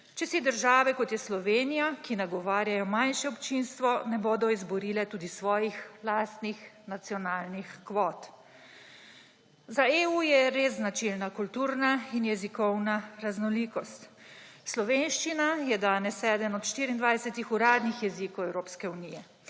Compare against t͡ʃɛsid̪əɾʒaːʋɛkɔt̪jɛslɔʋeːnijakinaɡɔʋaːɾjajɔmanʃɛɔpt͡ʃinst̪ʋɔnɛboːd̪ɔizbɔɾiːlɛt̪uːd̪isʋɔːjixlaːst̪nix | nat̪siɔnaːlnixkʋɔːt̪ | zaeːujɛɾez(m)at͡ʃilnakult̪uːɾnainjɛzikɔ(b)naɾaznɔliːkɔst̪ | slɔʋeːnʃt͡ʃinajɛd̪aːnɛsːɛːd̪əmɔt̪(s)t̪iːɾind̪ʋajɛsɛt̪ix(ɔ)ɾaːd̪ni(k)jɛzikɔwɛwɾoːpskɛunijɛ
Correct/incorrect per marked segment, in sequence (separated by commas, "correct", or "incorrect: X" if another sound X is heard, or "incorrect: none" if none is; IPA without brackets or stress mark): incorrect: n, incorrect: w, incorrect: ʃ, incorrect: u, incorrect: x